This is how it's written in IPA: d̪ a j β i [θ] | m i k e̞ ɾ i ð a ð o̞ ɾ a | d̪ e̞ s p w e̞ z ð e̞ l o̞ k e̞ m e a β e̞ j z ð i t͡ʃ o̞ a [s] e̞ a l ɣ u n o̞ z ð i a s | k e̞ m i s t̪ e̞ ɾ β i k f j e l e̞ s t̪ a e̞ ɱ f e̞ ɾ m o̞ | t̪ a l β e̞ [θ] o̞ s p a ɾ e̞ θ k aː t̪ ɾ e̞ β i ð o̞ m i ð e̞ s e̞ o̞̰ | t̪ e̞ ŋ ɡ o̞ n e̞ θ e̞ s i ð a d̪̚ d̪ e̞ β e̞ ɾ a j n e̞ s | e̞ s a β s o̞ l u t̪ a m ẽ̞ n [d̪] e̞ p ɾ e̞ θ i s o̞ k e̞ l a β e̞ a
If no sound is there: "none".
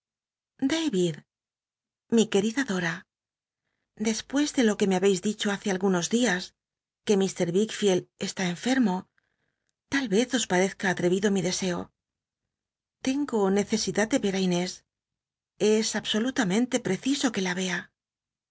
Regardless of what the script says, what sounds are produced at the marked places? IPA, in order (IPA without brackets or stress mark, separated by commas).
ð, θ, θ, t̪